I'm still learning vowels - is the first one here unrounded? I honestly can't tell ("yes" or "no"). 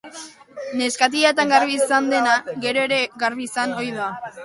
yes